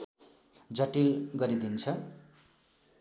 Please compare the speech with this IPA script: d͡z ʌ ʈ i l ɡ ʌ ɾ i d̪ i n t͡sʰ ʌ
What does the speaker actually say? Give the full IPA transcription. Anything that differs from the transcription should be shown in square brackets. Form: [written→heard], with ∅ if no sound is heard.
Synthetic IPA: d͡z ʌ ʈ i l ɡ ʌ ɾ i d̪ i n t͡sʰ ʌ